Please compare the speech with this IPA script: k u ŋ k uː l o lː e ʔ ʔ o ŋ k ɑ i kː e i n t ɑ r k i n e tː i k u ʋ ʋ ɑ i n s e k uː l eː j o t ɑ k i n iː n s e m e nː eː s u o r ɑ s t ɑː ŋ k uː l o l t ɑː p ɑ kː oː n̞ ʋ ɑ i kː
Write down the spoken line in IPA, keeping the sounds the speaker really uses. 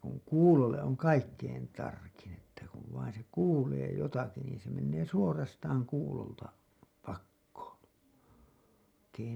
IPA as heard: k u ŋ k uː l o lː e ʔ ʔ o ŋ k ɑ i kː e i n t ɑ r k i n e tː æ k u ʋ ʋ ɑ i n s e k uː l eː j o t ɑ k i n iː n s e m e nː eː s u o r ɑ s t ɑː ŋ k uː l o l t ɑ p ɑ kː oː n̞ ʋ ɑ i kː